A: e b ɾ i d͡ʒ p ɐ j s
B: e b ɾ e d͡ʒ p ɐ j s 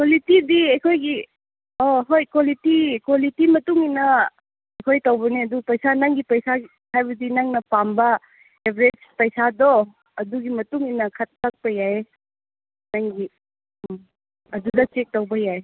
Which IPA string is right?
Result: B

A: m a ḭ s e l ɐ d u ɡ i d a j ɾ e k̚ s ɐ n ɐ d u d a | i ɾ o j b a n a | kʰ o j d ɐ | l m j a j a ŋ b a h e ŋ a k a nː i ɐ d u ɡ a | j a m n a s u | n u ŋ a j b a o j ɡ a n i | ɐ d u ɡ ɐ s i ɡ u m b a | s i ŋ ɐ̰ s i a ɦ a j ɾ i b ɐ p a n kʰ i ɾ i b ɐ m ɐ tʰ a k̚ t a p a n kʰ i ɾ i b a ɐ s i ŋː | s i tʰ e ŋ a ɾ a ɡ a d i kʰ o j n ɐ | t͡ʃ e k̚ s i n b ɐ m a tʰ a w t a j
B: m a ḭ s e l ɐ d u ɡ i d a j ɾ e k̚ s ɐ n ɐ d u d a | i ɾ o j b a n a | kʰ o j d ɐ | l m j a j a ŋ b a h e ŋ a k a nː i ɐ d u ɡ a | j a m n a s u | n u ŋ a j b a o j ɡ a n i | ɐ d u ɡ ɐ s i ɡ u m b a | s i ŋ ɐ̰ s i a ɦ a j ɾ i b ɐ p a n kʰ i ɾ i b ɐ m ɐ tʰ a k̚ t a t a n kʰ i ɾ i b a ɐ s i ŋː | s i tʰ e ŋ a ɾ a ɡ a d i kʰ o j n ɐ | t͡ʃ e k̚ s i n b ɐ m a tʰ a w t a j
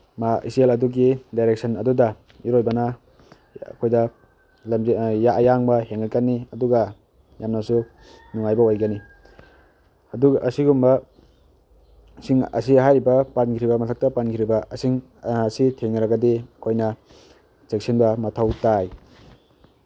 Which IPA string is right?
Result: A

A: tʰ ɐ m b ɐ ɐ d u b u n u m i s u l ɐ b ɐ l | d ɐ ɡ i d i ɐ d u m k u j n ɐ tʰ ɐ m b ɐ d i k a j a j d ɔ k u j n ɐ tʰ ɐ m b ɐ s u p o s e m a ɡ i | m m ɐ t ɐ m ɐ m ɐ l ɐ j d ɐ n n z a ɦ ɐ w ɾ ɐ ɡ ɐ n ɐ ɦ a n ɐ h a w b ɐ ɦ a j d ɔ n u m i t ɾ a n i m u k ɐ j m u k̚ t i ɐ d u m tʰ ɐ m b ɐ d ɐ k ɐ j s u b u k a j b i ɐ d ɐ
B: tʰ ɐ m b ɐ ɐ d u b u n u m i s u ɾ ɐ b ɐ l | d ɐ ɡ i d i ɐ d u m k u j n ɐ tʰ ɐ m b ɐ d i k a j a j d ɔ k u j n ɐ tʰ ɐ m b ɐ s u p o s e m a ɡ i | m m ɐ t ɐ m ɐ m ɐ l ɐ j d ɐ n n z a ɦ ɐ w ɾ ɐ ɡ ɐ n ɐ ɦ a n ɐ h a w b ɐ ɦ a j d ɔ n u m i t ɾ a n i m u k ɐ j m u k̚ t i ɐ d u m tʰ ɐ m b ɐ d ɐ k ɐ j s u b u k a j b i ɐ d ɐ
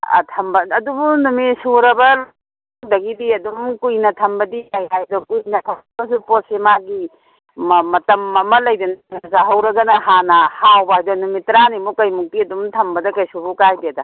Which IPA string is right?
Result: B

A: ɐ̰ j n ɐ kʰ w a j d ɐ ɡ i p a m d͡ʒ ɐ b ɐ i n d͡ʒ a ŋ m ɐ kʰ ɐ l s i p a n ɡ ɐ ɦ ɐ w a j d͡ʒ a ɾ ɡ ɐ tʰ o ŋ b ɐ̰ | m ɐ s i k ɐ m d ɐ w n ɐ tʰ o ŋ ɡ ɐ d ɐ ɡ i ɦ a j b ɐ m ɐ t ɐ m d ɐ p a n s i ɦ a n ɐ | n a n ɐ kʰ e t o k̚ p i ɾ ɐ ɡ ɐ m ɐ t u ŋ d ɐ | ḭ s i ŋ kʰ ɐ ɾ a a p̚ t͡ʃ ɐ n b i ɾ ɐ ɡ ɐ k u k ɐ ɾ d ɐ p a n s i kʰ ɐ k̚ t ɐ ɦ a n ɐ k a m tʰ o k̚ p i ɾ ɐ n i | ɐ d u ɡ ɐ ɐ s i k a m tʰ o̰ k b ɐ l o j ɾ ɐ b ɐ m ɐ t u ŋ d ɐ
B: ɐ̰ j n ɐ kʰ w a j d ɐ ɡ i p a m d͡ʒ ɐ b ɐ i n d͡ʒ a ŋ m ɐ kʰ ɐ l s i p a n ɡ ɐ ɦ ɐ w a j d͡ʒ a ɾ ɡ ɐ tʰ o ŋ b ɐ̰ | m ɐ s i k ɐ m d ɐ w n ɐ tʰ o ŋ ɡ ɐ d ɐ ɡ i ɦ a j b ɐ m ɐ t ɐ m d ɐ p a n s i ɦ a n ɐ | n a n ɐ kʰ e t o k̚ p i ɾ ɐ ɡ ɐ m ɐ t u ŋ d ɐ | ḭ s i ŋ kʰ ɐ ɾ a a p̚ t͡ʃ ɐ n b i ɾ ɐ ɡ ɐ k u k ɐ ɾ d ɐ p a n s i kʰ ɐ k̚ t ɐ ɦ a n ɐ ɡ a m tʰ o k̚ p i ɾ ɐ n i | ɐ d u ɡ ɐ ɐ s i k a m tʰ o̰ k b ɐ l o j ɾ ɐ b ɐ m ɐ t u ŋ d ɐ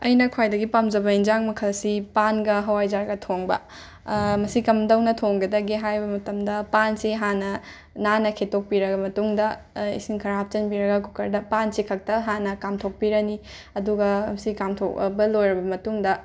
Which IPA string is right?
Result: A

